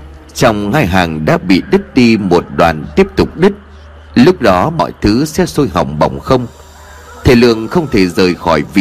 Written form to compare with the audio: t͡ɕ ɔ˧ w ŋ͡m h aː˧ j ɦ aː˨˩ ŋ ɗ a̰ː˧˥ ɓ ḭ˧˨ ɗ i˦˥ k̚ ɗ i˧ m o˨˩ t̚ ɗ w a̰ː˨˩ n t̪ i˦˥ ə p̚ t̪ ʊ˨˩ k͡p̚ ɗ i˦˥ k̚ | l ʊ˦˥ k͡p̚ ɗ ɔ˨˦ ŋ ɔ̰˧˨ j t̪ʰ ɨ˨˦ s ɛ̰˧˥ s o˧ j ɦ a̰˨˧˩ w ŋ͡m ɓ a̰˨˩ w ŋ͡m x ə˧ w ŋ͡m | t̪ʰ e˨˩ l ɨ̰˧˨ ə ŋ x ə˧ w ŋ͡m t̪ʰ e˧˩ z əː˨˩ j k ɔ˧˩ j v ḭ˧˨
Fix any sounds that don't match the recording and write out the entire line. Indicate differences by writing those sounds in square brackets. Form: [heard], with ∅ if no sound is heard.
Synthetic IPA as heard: t͡ɕ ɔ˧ w ŋ͡m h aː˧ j ɦ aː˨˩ ŋ ɗ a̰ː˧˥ ɓ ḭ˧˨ ɗ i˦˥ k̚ ɗ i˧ m o˨˩ t̚ ɗ w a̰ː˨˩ n t̪ i˦˥ ə p̚ t̪ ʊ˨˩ k͡p̚ ɗ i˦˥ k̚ | l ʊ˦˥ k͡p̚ ɗ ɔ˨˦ [m] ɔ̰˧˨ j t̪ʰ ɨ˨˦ s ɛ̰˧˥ s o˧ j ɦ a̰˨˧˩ w ŋ͡m ɓ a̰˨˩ w ŋ͡m x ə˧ w ŋ͡m | t̪ʰ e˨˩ l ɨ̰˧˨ ə ŋ x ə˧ w ŋ͡m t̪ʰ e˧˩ z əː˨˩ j [x] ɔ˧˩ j v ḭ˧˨